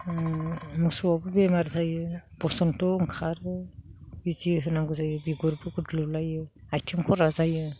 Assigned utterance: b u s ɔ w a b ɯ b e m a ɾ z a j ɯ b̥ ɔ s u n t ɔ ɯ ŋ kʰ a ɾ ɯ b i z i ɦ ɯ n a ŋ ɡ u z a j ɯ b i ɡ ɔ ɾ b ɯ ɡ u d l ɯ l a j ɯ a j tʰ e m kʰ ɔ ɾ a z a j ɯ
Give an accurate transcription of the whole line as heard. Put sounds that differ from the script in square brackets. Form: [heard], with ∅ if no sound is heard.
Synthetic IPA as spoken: [m] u s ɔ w a b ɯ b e m a ɾ z a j ɯ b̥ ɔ s [ɔ] n t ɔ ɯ ŋ kʰ a ɾ ɯ b i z i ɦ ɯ n a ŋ ɡ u z a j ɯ b i ɡ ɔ ɾ b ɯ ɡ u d l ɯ l a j ɯ a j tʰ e m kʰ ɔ ɾ a z a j ɯ

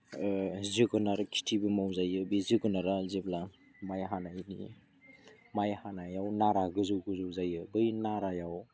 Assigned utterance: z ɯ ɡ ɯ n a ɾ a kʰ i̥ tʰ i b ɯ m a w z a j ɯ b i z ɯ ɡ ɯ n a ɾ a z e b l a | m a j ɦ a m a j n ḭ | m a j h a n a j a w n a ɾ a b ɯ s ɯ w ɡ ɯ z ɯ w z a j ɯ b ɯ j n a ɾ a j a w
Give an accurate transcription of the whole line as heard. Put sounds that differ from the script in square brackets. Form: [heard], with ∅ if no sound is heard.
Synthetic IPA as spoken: z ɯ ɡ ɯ n a ɾ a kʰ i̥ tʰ i b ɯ m a w z a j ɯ b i z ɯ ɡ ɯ n a ɾ a z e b l a | m a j ɦ a [n] a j n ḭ | m a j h a n a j a w n a ɾ a [ɡ] ɯ [z] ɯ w ɡ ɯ z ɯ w z a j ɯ b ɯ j n a ɾ a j a w

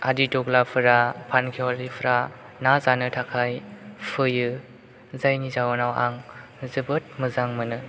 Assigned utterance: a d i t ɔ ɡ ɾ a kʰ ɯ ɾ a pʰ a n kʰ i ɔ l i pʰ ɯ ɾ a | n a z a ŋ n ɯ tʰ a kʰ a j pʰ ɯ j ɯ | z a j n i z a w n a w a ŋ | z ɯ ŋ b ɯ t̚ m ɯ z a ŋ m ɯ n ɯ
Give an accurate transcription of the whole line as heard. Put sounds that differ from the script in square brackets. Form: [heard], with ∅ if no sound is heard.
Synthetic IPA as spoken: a d i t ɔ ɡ [l] a [pʰ] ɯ ɾ a pʰ a n kʰ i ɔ l i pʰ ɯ ɾ a | n a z a [∅] n ɯ tʰ a kʰ a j pʰ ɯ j ɯ | z a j n i z a w n a w a ŋ | z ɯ [∅] b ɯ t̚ m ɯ z a ŋ m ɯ n ɯ

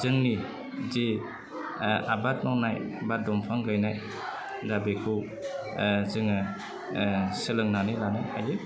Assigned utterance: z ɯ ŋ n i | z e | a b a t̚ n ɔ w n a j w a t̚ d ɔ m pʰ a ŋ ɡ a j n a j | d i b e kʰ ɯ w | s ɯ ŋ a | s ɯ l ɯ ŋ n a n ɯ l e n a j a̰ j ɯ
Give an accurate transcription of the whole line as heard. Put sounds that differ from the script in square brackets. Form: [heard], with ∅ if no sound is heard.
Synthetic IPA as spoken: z ɯ ŋ n i | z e | a b a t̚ n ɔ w n a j [b] a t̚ d ɔ m pʰ a ŋ ɡ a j n a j | d [a] b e kʰ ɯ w | [z] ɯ ŋ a | s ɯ l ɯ ŋ n a n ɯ l [a] n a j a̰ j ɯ

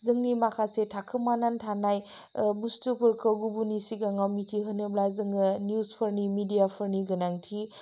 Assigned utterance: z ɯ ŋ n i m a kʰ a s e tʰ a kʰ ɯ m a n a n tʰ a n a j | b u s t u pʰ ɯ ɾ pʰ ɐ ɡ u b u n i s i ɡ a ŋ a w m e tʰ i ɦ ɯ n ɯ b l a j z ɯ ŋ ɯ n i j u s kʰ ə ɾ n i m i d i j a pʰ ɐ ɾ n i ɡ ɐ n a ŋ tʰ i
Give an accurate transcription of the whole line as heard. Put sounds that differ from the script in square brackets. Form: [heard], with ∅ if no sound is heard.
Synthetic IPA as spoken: z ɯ ŋ n i m a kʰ a s e tʰ a kʰ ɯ m a n a n tʰ a n a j | b u s t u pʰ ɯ ɾ [kʰ] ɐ ɡ u b u n i s i ɡ a ŋ a w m [i] tʰ i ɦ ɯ n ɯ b l a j z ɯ ŋ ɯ n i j u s [pʰ] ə ɾ n i m i d i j a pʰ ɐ ɾ n i ɡ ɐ n a ŋ tʰ i

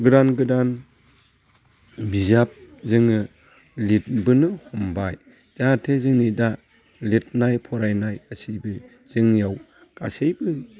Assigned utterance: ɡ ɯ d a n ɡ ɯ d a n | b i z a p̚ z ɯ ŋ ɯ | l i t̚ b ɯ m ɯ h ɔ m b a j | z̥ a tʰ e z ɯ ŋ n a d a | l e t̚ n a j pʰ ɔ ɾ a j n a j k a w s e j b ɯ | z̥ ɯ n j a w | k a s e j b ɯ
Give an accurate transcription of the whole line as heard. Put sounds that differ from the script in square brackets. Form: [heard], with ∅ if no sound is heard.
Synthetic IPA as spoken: ɡ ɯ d a n ɡ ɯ d a n | b i z a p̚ z ɯ ŋ ɯ | l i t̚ b ɯ [n] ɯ h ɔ m b a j | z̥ a tʰ e z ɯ ŋ n [i] d a | l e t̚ n a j pʰ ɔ ɾ a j n a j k a [∅] s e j b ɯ | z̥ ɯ [ŋ] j a w | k a s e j b ɯ

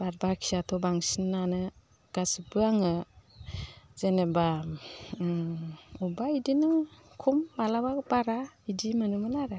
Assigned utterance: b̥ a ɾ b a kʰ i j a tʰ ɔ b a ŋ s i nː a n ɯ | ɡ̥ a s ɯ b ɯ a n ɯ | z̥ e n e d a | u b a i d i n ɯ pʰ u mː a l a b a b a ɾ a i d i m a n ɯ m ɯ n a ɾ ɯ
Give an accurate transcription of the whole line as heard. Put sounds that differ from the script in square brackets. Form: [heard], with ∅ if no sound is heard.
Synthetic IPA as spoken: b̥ a ɾ b a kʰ i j a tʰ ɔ b a ŋ s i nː a n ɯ | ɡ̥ a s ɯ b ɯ a [ŋ] ɯ | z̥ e n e [b] a | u b a i d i n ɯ [kʰ] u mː a l a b a b a ɾ a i d i m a n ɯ m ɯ n a ɾ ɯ

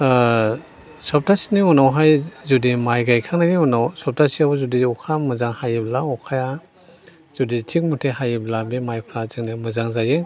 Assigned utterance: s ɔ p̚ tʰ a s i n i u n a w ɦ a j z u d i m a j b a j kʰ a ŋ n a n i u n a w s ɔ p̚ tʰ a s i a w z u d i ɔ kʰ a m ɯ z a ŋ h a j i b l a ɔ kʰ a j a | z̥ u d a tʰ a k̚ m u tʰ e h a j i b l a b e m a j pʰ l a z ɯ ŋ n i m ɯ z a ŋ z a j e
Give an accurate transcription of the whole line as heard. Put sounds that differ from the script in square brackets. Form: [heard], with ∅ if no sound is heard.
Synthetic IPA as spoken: s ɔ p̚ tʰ a s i n i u n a w ɦ a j z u d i m a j [ɡ] a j kʰ a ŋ n a n i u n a w s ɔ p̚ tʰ a s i a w z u d i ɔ kʰ a m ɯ z a ŋ h a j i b l a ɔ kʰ a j a | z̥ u d [i] tʰ [i] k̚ m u tʰ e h a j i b l a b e m a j pʰ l a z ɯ ŋ n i m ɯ z a ŋ z a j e

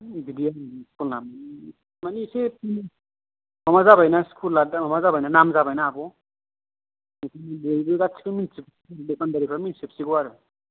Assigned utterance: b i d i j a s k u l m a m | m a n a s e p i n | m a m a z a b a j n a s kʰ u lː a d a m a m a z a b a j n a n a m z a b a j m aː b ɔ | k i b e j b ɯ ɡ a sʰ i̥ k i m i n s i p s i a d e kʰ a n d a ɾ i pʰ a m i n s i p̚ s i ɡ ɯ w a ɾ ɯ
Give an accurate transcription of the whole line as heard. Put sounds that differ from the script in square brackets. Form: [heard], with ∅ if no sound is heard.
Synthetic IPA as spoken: b i d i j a s k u l [n] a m | m a n [i] s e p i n | m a m a z a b a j n a s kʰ u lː a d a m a m a z a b a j n a n a m z a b a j [n] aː b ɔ | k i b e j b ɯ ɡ a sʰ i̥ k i m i n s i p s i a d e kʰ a n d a ɾ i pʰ a m i n s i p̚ s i ɡ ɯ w a ɾ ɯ

